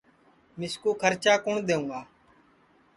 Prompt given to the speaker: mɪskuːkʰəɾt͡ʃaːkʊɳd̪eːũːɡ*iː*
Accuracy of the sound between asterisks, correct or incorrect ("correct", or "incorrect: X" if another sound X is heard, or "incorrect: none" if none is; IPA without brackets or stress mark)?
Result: incorrect: aː